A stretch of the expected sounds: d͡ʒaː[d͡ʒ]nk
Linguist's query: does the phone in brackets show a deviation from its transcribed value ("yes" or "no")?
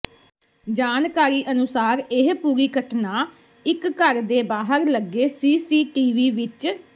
yes